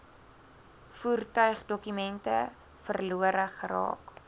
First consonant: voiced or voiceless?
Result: voiceless